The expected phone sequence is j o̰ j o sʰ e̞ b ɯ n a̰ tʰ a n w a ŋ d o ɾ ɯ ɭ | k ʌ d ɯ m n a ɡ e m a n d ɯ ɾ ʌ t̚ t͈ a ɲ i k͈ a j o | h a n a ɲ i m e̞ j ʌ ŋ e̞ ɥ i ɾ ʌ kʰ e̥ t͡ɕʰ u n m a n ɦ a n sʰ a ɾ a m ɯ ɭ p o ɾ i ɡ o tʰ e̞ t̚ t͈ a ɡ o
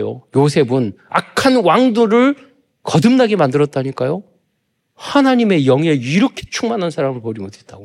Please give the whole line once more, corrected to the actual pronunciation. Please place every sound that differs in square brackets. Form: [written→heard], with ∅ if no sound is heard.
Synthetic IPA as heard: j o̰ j o sʰ e̞ b ɯ n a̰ [tʰ→kʰ] a n w a ŋ d o ɾ ɯ ɭ | k ʌ d ɯ m n a ɡ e m a n d ɯ ɾ ʌ t̚ t͈ a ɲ i k͈ a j o | h a n a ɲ i m e̞ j ʌ ŋ e̞ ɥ i ɾ ʌ kʰ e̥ t͡ɕʰ u [n→ŋ] m a n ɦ a n sʰ a ɾ a m ɯ ɭ p o ɾ i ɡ o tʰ e̞ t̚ t͈ a ɡ o